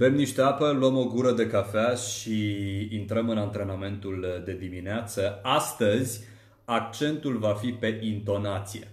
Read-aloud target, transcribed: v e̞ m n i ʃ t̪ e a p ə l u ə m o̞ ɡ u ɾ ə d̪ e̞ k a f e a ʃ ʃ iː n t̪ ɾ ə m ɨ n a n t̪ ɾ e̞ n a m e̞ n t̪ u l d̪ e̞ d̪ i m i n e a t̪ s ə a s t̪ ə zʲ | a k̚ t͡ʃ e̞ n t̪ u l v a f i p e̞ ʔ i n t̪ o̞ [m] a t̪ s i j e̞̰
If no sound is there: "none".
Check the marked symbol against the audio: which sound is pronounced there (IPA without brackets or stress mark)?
n